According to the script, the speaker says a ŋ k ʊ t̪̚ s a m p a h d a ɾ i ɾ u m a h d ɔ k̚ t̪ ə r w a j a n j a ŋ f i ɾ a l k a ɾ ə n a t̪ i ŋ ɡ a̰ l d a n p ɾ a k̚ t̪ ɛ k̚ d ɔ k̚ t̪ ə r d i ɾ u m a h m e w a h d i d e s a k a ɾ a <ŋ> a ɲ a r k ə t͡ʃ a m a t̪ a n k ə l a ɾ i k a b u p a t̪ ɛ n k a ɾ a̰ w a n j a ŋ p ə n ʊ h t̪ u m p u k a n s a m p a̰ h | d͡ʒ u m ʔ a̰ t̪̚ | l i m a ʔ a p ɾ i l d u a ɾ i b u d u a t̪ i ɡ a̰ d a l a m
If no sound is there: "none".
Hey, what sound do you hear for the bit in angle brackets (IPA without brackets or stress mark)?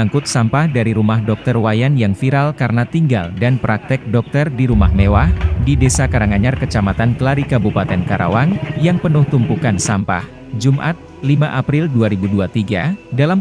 ŋ